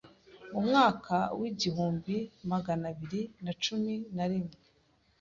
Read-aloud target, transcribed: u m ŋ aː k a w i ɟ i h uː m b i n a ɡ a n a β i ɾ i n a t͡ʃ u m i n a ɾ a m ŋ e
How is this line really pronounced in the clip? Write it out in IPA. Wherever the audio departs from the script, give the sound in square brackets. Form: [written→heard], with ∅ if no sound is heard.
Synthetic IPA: u m ŋ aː k a w i ɟ i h uː m b i [n→m] a ɡ a n a β i ɾ i n a t͡ʃ u m i n a ɾ [a→i] m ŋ e